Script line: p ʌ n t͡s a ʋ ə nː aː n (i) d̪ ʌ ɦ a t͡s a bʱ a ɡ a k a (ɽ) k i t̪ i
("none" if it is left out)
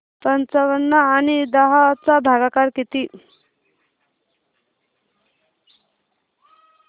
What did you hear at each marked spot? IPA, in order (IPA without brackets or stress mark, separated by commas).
i, ɾ